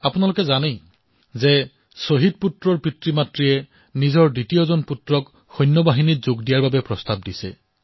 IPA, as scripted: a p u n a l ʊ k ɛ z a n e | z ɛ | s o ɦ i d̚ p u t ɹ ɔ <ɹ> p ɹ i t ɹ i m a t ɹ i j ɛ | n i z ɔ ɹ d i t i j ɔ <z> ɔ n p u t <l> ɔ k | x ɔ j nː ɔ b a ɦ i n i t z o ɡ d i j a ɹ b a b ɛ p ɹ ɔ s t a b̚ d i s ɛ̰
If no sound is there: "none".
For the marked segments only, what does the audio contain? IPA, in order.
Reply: ɹ, z, ɹ

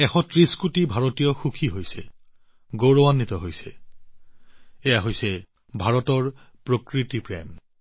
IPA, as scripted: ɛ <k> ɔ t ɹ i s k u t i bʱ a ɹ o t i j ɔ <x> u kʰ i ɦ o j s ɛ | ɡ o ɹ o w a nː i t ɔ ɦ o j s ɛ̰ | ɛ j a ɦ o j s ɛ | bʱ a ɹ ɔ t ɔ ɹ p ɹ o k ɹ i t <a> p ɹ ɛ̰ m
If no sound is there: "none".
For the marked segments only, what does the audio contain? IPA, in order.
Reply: x, x, i

